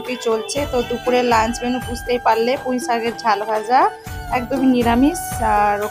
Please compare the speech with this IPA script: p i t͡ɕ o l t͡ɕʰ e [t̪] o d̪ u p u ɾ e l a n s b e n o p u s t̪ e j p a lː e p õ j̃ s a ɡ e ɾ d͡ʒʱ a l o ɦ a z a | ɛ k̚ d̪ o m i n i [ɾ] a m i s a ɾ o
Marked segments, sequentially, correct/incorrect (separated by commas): correct, correct